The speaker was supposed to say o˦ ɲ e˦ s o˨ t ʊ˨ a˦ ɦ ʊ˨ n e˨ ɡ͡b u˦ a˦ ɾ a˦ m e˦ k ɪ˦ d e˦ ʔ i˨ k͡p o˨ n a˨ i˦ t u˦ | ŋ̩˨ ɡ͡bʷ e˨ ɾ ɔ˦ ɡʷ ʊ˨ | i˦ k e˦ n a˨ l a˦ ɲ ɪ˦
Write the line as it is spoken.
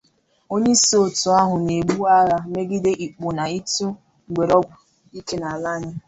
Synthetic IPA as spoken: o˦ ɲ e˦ s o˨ t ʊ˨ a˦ ɦ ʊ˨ n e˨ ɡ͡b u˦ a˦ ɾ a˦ m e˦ ɡ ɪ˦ d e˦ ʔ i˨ k͡p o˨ n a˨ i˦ t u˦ | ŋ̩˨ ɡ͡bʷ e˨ ɾ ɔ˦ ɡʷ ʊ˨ | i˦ k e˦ n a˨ l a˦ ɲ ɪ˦